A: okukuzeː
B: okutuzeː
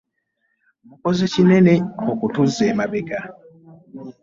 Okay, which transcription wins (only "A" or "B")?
B